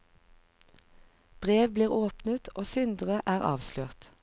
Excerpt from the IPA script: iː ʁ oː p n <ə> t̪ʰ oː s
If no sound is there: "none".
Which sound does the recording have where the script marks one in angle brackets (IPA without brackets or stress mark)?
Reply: ə